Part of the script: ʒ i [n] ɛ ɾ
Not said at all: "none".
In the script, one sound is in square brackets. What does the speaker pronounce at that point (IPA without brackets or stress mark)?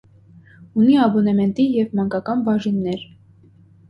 nː